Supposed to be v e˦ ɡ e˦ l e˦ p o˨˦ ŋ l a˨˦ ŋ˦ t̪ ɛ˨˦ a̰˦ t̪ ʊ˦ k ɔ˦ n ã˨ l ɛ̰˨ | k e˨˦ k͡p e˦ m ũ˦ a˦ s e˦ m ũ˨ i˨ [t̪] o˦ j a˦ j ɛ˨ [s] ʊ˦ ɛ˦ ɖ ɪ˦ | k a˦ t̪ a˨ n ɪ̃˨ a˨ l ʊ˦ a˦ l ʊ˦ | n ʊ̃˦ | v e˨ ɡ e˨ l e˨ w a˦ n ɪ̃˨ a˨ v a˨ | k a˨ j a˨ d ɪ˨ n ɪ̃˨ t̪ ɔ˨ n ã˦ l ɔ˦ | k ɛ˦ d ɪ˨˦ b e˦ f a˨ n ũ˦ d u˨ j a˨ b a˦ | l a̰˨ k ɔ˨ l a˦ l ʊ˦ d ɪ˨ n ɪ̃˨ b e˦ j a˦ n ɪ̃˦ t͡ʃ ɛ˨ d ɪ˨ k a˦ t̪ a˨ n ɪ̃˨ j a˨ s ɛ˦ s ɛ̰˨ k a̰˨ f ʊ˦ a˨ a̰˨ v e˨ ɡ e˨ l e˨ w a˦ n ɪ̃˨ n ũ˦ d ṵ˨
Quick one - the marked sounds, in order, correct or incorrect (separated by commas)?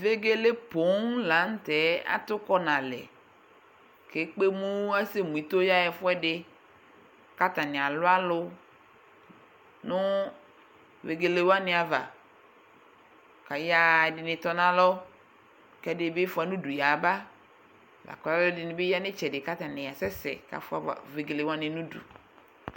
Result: correct, incorrect